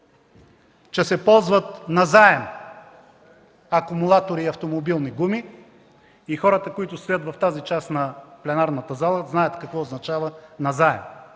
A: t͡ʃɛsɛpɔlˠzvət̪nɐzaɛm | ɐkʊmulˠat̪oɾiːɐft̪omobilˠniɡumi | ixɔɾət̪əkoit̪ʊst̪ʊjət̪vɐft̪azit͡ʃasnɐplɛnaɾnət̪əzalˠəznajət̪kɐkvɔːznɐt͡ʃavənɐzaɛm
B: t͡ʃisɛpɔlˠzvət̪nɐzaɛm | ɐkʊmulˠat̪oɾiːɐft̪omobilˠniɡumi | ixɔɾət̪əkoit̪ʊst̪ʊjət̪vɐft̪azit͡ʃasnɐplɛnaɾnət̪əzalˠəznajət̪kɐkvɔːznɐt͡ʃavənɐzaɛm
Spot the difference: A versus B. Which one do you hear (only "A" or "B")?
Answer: A